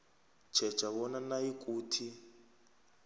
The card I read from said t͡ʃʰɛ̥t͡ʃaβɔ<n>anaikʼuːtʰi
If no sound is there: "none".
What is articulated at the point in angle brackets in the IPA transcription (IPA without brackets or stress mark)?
n